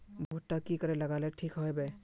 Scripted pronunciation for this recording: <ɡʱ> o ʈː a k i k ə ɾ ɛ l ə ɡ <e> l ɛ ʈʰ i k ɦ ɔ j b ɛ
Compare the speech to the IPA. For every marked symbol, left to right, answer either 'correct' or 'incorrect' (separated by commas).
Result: incorrect, incorrect